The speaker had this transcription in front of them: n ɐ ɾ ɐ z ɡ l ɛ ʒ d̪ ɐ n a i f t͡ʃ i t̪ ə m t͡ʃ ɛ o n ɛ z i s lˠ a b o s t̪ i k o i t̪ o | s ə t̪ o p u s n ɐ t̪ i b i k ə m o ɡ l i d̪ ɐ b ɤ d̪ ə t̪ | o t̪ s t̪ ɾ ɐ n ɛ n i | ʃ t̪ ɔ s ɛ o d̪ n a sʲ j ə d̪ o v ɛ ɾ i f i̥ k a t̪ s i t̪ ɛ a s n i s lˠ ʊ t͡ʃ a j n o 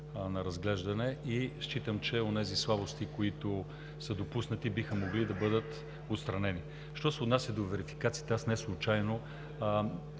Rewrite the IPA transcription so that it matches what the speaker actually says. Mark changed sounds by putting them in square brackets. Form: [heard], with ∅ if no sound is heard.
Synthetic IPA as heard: n ɐ ɾ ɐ z ɡ l ɛ ʒ d̪ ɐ n [ɛ] i [ʃ] t͡ʃ i t̪ ə m t͡ʃ ɛ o n ɛ z i s lˠ a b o s t̪ i k o i t̪ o | s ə [d̪] o p u s n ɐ t̪ i b i [x] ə m o ɡ l i d̪ ɐ b ɤ d̪ ə t̪ | o t̪ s t̪ ɾ ɐ n ɛ n i | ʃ t̪ ɔ s ɛ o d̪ n a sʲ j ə d̪ o v ɛ ɾ i f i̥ k a t̪ s i t̪ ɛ a s n [ɛ] s lˠ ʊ t͡ʃ a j n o